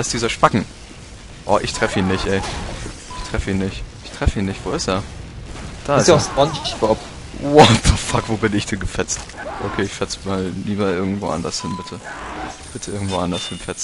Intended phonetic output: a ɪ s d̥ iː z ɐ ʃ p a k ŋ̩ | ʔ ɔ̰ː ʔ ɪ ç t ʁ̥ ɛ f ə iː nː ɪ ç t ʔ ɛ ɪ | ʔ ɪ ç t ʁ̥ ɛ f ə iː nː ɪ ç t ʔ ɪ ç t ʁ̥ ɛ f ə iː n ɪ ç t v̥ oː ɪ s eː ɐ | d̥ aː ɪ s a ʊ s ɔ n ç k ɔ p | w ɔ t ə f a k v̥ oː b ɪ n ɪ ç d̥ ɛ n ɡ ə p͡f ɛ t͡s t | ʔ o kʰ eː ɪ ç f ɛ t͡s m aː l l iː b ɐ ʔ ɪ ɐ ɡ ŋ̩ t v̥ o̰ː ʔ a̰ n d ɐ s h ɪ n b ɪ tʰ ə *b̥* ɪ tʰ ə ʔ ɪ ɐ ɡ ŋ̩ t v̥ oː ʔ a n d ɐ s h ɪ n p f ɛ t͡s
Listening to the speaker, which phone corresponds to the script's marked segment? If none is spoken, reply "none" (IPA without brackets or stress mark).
b̥